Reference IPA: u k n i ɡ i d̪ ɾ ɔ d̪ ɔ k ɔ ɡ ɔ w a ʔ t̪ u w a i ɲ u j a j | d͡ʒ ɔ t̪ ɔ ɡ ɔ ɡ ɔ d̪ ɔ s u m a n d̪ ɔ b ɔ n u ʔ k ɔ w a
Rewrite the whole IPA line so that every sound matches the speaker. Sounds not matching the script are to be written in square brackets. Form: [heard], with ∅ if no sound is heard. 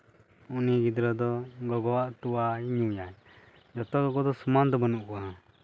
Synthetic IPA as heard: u [∅] n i ɡ i d̪ ɾ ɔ d̪ ɔ [ɡ] ɔ ɡ ɔ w a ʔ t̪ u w a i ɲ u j a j | d͡ʒ ɔ t̪ ɔ ɡ ɔ ɡ ɔ d̪ ɔ s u m a n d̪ ɔ b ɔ n u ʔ k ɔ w a